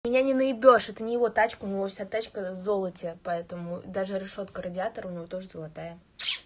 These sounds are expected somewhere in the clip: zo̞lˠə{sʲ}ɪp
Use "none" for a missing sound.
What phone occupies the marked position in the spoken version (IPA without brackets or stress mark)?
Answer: tʲ